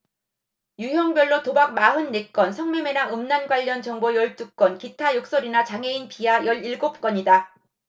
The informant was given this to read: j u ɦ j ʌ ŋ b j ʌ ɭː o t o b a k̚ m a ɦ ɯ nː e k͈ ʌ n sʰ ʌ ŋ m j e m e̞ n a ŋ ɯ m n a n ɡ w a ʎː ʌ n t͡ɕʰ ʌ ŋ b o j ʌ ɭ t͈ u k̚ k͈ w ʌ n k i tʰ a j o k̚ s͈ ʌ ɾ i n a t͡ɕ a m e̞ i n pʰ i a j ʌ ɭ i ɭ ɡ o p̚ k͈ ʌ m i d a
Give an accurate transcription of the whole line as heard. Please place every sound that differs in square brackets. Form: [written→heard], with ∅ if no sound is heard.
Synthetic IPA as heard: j u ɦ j ʌ ŋ b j ʌ ɭː o t o b a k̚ m a ɦ ɯ nː e k͈ ʌ n sʰ ʌ ŋ m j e m e̞ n a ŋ ɯ m n a n ɡ w a ʎː ʌ n [t͡ɕʰ→t͡ɕ] ʌ ŋ b o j ʌ ɭ t͈ u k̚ k͈ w ʌ n k i tʰ a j o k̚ s͈ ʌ ɾ i n a t͡ɕ a [m→ŋ] e̞ i n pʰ i a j ʌ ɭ i ɭ ɡ o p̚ k͈ ʌ [m→ɲ] i d a